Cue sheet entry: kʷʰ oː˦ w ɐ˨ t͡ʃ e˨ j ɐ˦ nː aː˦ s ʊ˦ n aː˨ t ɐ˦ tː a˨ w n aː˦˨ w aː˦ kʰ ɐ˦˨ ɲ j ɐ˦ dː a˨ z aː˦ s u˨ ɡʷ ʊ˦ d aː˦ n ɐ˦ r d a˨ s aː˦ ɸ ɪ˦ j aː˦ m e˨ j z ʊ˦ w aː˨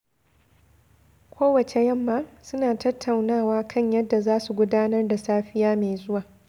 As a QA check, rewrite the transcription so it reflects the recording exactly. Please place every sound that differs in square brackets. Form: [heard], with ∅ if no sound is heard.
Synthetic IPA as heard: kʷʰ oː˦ w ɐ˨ t͡ʃ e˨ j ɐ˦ [mː] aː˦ s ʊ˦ n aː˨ t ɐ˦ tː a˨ w n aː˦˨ w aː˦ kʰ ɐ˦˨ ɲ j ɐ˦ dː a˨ z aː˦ s u˨ ɡʷ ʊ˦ d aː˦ n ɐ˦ r d a˨ s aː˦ ɸ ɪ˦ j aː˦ m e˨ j z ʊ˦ w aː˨